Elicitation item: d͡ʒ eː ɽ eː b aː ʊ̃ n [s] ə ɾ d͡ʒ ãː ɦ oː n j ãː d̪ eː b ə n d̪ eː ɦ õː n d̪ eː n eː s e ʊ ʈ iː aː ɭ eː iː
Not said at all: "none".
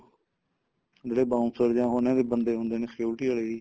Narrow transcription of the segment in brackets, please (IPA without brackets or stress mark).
s